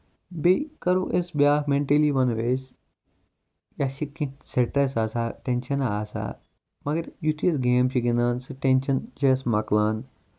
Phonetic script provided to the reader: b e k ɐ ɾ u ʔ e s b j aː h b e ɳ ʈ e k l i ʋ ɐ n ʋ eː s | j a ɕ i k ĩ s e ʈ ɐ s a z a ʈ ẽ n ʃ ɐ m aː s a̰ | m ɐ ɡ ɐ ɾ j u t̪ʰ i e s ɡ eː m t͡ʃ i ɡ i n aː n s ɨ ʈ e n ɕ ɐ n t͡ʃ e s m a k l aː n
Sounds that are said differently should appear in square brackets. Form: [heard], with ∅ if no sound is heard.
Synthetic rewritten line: b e k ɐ ɾ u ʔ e s b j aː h [m] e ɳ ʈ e [∅] l i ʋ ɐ n ʋ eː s | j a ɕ i k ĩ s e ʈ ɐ s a [s] a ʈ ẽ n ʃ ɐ [n] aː s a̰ | m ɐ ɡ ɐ ɾ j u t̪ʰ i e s ɡ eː m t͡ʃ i ɡ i n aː n s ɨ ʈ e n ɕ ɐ n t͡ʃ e s m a k l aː n